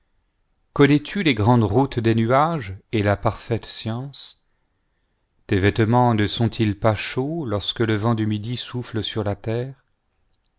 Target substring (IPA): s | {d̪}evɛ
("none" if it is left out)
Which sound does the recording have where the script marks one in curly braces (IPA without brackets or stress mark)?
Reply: t̪